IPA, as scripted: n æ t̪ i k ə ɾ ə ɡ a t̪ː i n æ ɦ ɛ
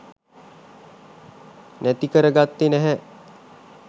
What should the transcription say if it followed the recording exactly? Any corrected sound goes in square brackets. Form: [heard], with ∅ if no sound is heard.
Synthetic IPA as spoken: n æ t̪ i k ə ɾ ə ɡ a t̪ː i n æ ɦ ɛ